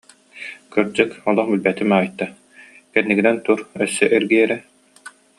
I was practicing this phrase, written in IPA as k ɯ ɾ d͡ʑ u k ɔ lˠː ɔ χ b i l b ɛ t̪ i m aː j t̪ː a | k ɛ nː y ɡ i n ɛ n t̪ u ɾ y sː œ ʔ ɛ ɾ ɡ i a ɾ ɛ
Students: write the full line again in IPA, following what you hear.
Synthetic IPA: k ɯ ɾ d͡ʑ ɯ k ɔ lˠ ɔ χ b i l b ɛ t̪ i m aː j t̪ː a | k ɛ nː i ɡ i n ɛ n t̪ u ɾ œ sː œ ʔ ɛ ɾ ɡ i ɛ ɾ ɛ

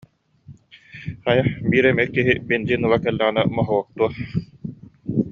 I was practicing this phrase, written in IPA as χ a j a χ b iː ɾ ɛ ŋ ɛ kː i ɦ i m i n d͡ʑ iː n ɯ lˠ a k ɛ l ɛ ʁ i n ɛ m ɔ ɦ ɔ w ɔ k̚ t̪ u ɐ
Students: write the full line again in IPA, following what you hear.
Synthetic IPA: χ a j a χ b iː ɾ ɛ m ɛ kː i ɦ i b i n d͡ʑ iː n ɯ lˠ a k ɛ lː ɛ ʁ i n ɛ m ɔ ɦ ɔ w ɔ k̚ t̪ u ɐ

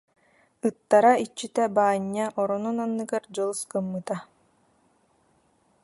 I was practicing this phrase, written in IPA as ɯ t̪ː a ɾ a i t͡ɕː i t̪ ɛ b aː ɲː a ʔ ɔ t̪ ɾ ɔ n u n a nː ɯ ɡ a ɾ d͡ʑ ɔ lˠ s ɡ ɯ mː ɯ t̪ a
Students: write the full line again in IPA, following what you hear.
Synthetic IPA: ɯ t̪ː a ɾ a i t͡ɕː i t̪ ɛ b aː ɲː a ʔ ɔ ɾ ɔ n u n a nː ɯ ɡ a ɾ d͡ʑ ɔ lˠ s k ɯ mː ɯ t̪ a

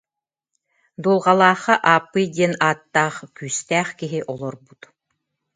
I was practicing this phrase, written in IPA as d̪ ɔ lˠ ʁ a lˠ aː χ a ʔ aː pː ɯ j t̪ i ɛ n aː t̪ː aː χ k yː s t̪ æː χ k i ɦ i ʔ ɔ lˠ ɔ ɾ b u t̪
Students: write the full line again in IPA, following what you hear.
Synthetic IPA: d̪ u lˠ ʁ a lˠ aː χ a ʔ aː pː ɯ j d̪ i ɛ n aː t̪ː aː χ k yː s t̪ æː χ k i ɦ i ʔ ɔ lˠ ɔ ɾ b u t̪

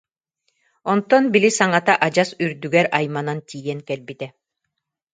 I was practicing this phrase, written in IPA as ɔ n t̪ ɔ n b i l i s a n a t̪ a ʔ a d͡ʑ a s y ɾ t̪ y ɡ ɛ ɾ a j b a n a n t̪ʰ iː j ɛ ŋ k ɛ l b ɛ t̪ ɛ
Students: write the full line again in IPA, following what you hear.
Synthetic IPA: ɔ n t̪ ɔ n b i l i s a ŋ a t̪ a ʔ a d͡ʑ a s y ɾ d̪ y ɡ ɛ ɾ a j m a n a n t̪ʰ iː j ɛ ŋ k ɛ l b i t̪ ɛ

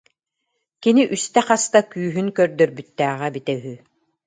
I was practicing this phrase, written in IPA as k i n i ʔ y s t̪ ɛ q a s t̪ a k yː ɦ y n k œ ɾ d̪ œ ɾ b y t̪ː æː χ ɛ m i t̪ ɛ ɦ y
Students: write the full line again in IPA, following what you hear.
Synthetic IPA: k i n i ʔ y s t̪ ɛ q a s t̪ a k yː ɦ y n k œ ɾ d̪ œ ɾ b y t̪ː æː ʁ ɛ b i t̪ ɛ ɦ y

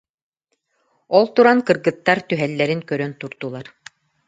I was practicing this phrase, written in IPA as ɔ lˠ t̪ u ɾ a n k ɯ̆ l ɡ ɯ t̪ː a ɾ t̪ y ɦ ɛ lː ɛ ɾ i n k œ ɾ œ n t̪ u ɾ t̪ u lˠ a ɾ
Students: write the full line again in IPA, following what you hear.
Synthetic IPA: ɔ lˠ t̪ u ɾ a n k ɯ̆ ɾ ɡ ɯ t̪ː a ɾ t̪ y ɦ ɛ lː ɛ ɾ i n k œ ɾ œ n t̪ u ɾ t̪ u lˠ a ɾ

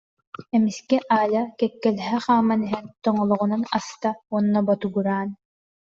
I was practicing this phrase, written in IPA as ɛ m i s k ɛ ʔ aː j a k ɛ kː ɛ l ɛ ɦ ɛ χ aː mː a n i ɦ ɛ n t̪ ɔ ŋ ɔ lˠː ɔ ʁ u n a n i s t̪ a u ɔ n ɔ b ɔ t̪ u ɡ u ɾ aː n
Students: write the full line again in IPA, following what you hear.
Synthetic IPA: ɛ m i s k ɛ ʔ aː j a k ɛ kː ɛ l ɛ ɦ ɛ χ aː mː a n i ɦ ɛ n t̪ ɔ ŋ ɔ lˠ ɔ ʁ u n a n a s t̪ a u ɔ nː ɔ b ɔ t̪ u ɡ u ɾ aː n

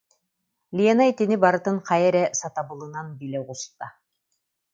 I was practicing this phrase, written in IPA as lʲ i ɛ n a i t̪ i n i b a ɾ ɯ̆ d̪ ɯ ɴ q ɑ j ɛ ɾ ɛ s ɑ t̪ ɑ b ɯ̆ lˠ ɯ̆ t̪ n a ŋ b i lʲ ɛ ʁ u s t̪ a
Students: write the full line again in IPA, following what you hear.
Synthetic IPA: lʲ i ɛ n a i t̪ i n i b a ɾ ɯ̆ t̪ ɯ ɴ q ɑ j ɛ ɾ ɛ s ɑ t̪ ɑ b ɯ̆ lˠ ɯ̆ n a n b i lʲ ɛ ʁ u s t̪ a

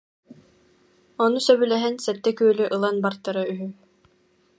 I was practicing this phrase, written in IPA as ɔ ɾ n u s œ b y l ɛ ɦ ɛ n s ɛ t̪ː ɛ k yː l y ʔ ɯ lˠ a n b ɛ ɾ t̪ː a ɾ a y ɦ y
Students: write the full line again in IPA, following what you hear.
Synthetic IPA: ɔ n u s œ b y l ɛ ɦ ɛ n s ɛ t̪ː ɛ k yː l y ʔ ɯ lˠ a n b a ɾ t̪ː a ɾ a y ɦ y

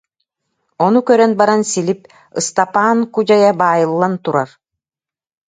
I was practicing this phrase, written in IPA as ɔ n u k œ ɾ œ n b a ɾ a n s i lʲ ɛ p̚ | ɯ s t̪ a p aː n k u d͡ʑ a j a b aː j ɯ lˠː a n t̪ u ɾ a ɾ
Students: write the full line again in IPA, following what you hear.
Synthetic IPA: ɔ n u k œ ɾ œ n b a ɾ a n s i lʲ i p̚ | ɯ s t̪ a p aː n k u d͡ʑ a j a b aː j ɯ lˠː a n t̪ u ɾ a ɾ

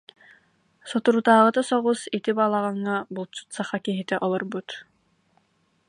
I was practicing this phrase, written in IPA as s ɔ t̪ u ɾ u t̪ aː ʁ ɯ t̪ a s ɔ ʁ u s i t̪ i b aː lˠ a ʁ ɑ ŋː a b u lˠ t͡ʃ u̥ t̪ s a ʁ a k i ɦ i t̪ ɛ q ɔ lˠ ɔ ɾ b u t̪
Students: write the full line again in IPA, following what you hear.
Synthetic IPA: s ɔ t̪ u ɾ u t̪ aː ʁ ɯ t̪ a s ɔ ʁ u s i t̪ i b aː lˠ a ʁ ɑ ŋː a b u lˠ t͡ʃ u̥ t̪ s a χ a k i ɦ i t̪ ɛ ʔ ɔ lˠ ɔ ɾ b u t̪

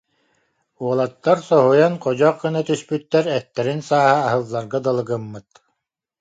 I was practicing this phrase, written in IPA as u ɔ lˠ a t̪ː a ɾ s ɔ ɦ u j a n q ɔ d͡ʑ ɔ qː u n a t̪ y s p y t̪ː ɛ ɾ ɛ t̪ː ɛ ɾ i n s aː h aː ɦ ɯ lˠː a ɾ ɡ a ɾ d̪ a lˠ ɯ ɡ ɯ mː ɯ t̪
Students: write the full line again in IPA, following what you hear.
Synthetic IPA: u ɔ lˠ a t̪ː a ɾ s ɔ ɦ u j a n q ɔ d͡ʑ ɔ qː ɯ n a t̪ y s p y t̪ː ɛ ɾ ɛ t̪ː ɛ ɾ i n s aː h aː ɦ ɯ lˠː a ɾ ɡ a d̪ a lˠ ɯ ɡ ɯ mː ɯ t̪

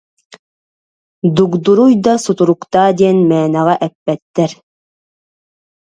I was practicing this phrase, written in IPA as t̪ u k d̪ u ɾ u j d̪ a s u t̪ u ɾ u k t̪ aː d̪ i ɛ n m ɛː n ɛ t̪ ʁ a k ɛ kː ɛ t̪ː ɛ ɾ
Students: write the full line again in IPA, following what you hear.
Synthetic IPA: d̪ u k d̪ u ɾ u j d̪ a s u t̪ u ɾ u k t̪ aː d̪ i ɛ n m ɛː n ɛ ʁ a ʔ ɛ pː ɛ t̪ː ɛ ɾ

